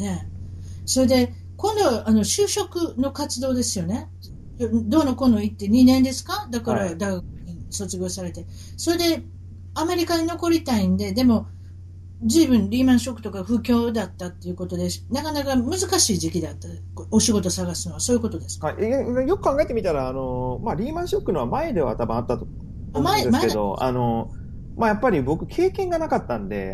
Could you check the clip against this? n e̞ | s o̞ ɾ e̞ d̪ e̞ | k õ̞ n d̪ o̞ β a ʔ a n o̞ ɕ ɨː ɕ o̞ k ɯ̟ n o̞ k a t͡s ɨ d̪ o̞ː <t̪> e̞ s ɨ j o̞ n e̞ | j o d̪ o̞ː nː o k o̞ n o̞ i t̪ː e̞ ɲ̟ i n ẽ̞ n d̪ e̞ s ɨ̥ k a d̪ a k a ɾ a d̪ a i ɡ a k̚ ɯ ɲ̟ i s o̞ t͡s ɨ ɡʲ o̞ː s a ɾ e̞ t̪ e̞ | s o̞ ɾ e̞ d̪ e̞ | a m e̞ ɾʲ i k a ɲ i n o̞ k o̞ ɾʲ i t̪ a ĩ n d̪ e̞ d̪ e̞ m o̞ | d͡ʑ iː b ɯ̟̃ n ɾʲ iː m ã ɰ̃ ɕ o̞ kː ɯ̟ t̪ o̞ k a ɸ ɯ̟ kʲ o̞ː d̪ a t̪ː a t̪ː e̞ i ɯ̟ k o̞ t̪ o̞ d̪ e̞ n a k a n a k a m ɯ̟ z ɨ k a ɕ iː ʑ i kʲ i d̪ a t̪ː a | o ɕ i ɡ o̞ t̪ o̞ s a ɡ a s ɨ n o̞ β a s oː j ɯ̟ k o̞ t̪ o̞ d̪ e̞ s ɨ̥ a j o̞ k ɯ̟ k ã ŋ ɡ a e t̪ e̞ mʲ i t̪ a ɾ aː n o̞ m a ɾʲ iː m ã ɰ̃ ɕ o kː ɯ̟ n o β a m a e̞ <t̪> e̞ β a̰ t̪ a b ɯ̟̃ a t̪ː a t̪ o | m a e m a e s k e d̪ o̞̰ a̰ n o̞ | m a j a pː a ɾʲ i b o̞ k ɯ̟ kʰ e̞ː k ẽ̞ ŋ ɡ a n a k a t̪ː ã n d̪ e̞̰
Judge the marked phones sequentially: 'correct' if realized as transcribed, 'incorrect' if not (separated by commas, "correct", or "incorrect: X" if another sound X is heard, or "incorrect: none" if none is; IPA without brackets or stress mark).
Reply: incorrect: d̪, incorrect: d̪